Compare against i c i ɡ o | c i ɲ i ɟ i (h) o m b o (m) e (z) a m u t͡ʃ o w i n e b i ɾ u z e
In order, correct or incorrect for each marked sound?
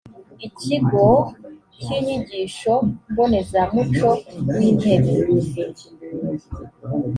incorrect: ʃ, incorrect: n, correct

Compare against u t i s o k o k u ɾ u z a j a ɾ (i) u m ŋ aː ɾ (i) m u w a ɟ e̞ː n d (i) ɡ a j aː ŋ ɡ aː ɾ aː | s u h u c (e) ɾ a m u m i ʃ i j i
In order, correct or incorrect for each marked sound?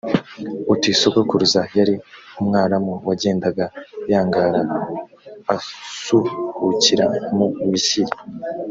correct, incorrect: a, incorrect: a, incorrect: i

